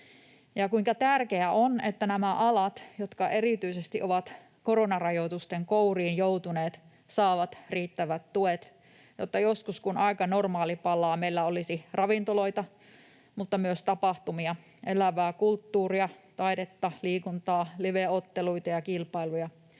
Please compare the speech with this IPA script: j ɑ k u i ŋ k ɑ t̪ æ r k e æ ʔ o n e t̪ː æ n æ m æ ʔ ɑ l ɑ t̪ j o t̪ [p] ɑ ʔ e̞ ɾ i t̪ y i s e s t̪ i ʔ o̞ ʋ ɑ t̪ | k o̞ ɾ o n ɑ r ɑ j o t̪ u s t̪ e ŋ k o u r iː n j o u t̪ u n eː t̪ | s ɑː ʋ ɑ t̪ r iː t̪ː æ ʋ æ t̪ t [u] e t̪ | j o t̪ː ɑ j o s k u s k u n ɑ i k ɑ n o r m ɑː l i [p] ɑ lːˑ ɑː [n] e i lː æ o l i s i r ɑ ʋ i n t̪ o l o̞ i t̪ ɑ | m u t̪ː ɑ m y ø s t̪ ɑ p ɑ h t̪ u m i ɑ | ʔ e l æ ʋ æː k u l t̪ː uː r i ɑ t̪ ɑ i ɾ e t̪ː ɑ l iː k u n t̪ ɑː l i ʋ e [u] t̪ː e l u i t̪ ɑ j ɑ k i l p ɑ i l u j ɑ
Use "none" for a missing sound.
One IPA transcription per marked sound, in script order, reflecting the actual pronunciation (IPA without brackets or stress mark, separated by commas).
k, u, p, m, o